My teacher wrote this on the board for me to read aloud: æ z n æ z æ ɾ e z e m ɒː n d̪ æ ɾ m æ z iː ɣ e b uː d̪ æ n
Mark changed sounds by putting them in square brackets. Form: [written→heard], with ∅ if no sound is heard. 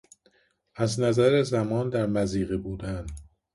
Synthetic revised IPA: æ z n æ z æ ɾ e z [e→æ] m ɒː n d̪ æ ɾ m æ z iː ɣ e b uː d̪ æ n

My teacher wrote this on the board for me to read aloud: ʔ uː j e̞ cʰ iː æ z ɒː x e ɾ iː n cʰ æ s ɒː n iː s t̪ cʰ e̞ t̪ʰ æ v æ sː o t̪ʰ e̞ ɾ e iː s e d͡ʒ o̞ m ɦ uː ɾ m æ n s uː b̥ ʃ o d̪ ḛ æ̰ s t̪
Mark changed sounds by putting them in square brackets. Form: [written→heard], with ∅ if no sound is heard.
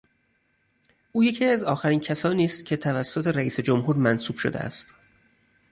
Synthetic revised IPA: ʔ uː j e̞ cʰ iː æ z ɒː x [e→æ] ɾ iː n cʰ æ s ɒː n iː s t̪ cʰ e̞ t̪ʰ æ v æ sː o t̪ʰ e̞ ɾ [e→æ] iː s e d͡ʒ o̞ m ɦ uː ɾ m æ n s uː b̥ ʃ o d̪ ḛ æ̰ s t̪

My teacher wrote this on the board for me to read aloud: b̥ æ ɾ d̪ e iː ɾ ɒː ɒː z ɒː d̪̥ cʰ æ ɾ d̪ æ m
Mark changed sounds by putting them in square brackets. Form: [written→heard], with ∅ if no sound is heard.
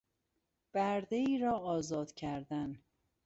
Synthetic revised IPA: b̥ æ ɾ d̪ e iː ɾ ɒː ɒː z ɒː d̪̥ cʰ æ ɾ d̪ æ [m→n]

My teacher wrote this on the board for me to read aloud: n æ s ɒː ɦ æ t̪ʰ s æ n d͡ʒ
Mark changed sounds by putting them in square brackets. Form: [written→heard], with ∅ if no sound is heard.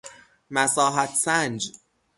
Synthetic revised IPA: [n→m] æ s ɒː ɦ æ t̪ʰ s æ n d͡ʒ

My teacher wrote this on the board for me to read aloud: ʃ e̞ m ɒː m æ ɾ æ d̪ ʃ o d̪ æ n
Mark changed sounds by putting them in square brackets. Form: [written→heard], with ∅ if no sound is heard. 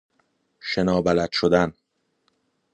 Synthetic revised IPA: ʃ e̞ [m→n] ɒː [m→b] æ [ɾ→l] æ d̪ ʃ o d̪ æ n

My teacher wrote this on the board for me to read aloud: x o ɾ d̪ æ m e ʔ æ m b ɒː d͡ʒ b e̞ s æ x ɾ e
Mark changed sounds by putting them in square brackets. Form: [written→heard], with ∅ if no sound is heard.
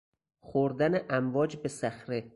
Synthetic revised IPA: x o ɾ d̪ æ [m→n] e ʔ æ m [b→v] ɒː d͡ʒ b e̞ s æ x ɾ e

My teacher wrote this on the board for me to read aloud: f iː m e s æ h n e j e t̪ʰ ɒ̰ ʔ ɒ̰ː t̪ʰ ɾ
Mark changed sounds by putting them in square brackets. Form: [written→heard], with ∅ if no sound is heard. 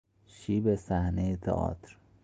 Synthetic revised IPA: [f→ʃ] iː [m→b] e s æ h n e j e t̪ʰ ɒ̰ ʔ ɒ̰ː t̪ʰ ɾ

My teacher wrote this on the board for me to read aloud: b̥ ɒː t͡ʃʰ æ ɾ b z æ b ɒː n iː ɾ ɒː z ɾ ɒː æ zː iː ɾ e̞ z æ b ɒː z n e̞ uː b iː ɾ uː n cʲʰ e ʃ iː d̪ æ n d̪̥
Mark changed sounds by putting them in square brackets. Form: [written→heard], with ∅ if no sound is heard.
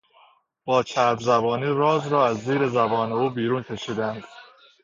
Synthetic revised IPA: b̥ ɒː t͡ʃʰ æ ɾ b z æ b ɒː n iː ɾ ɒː z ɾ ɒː æ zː iː ɾ e̞ z æ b ɒː [z→∅] n e̞ uː b iː ɾ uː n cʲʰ e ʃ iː d̪ æ n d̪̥

